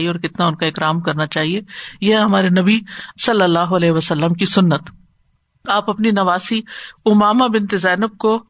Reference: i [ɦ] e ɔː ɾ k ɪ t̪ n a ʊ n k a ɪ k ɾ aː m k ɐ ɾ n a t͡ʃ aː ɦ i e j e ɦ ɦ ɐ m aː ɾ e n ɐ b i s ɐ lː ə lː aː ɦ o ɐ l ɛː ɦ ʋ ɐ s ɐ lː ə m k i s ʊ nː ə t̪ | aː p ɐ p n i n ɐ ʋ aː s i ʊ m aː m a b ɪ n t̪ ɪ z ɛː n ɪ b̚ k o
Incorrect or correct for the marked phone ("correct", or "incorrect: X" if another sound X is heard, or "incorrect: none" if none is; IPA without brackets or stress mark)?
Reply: incorrect: none